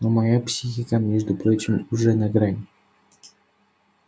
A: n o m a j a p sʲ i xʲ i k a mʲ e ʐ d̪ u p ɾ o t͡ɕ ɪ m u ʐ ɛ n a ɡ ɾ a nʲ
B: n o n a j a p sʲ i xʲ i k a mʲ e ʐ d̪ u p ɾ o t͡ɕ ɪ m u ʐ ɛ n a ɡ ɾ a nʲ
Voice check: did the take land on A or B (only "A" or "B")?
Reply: A